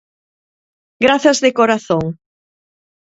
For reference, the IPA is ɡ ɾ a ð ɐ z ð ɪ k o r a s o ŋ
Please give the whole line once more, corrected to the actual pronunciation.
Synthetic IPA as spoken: ɡ ɾ a θ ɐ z ð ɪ k o ɾ a θ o ŋ